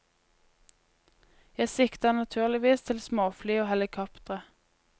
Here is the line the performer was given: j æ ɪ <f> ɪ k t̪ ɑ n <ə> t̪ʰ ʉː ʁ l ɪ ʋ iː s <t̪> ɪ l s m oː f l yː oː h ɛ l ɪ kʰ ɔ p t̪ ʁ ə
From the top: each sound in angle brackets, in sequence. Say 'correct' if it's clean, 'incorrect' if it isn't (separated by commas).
incorrect, incorrect, incorrect